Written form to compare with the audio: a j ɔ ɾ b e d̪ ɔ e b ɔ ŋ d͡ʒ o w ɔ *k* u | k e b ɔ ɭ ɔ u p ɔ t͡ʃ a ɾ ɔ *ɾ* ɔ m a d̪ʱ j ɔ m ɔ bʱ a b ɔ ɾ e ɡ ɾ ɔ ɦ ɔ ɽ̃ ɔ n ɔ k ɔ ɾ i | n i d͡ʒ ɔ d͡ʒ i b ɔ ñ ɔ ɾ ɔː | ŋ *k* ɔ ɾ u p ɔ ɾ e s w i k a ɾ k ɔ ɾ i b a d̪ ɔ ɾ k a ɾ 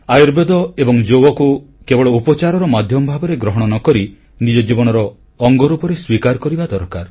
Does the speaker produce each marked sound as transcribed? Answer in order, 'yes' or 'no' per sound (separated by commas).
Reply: yes, yes, no